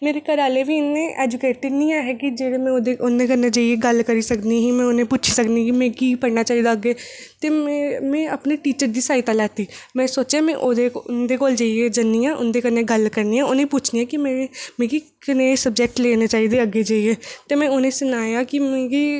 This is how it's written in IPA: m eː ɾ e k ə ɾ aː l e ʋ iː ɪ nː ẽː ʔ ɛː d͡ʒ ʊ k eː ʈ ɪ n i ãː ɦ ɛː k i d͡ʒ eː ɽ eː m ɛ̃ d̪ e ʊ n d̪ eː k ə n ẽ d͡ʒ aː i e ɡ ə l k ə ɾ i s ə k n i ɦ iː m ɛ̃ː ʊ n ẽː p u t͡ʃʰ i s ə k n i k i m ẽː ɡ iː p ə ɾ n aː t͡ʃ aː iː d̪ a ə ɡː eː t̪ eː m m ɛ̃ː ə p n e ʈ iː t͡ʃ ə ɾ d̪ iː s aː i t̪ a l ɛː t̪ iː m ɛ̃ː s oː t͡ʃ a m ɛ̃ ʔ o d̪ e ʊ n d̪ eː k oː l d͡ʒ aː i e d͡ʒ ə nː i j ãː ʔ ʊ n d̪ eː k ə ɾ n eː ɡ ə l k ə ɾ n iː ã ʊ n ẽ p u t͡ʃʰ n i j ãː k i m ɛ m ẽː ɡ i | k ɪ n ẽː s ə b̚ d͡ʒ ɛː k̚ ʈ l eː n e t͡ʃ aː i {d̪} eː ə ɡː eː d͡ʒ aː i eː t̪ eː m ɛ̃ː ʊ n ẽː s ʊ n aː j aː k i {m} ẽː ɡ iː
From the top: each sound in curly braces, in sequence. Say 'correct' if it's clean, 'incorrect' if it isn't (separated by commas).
correct, correct